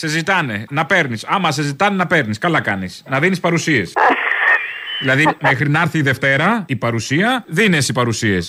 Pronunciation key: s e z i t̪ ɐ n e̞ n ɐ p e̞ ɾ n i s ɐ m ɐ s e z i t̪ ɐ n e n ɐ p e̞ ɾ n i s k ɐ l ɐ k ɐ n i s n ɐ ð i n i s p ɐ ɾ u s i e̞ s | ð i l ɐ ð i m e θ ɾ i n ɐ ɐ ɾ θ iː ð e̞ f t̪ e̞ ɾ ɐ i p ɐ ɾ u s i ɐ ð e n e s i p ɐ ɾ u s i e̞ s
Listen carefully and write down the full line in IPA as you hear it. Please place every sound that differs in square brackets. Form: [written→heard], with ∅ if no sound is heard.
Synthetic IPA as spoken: s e z i t̪ ɐ n e̞ n ɐ p e̞ ɾ n i s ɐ m ɐ s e z i t̪ ɐ n e n ɐ p e̞ ɾ n i s k ɐ l ɐ k ɐ n i s n ɐ ð i n i s p ɐ ɾ u s i e̞ s | ð i l ɐ ð i m e [θ→x] ɾ i n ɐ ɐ ɾ θ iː ð e̞ f t̪ e̞ ɾ ɐ i p ɐ ɾ u s i ɐ ð [e→i] n e s i p ɐ ɾ u s i e̞ s